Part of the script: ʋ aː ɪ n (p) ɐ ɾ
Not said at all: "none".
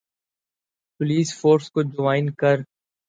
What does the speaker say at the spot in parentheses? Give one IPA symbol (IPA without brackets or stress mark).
k